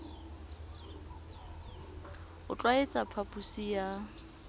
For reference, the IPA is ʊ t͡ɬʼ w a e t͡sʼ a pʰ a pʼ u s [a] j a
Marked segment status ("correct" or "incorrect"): incorrect